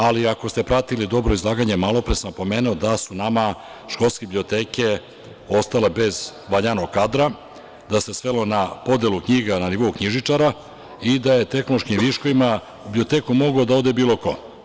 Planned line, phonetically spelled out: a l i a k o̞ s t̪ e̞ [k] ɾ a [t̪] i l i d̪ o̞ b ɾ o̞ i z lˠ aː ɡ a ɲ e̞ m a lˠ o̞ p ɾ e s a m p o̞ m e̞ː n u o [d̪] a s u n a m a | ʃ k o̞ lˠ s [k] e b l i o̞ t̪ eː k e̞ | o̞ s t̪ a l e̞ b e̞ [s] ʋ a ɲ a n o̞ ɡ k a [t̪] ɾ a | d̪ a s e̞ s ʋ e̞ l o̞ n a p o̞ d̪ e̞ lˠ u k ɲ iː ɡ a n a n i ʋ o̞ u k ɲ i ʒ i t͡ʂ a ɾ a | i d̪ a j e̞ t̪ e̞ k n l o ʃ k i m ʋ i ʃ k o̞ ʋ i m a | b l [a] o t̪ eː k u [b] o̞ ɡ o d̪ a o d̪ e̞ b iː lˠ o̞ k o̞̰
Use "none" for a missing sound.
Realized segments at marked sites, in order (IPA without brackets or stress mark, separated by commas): p, t̪, d̪, k, z, d̪, i, m